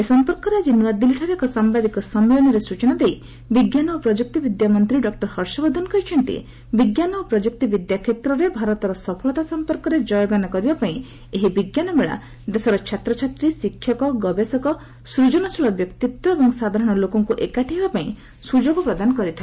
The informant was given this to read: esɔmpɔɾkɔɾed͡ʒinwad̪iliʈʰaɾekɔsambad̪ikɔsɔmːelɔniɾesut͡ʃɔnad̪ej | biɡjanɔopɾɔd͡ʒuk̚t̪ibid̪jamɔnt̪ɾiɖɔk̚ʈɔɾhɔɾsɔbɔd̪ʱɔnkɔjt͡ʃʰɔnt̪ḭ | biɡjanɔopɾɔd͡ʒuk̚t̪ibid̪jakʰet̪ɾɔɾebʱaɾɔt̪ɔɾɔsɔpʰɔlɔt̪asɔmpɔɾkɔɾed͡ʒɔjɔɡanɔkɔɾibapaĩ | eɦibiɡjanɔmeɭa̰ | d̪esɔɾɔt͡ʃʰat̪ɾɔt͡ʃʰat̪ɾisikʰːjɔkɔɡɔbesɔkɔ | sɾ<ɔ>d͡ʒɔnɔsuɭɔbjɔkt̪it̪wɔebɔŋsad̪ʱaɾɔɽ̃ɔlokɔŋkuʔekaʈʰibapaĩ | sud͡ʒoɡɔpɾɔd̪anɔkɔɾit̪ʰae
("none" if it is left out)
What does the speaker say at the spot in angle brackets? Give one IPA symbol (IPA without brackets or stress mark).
u